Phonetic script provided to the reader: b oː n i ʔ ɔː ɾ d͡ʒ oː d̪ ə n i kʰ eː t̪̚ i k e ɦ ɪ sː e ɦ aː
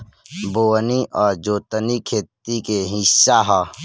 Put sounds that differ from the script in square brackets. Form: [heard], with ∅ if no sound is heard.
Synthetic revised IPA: b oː n i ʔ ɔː ɾ d͡ʒ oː [t̪] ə n i kʰ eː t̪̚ i k e ɦ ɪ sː [a] ɦ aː